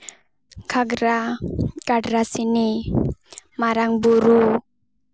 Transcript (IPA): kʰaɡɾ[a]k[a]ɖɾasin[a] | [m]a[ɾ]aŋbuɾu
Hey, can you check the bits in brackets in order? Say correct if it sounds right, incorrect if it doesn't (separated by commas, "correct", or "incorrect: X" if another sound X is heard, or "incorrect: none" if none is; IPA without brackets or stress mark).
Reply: correct, correct, incorrect: i, correct, correct